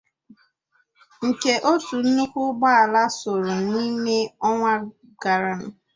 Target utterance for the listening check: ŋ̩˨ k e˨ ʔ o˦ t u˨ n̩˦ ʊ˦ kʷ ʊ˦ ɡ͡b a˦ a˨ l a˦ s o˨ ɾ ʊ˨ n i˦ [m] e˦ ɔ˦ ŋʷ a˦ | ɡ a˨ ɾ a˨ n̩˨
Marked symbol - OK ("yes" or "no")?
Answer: yes